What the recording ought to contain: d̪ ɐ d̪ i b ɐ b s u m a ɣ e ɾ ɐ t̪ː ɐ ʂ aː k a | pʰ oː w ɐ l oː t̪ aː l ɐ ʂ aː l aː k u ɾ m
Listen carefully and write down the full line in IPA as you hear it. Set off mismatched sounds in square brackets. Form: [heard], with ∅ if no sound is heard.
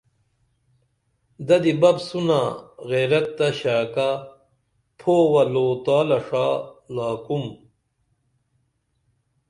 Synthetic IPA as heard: d̪ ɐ d̪ i b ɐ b s u [n] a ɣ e ɾ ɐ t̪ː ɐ [ɕ] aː k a | pʰ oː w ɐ l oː t̪ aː l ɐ ʂ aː l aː k u [∅] m